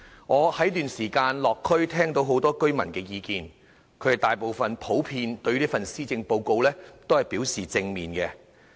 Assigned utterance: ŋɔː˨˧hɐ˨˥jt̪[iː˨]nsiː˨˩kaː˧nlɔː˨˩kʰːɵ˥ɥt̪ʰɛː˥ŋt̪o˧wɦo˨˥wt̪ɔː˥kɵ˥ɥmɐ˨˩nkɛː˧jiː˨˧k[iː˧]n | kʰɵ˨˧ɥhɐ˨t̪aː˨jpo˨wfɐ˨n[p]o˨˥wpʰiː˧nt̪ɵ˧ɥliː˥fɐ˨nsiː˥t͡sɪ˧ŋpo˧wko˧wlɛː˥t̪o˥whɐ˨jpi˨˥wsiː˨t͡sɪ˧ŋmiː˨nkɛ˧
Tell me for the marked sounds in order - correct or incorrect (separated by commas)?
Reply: incorrect, correct, incorrect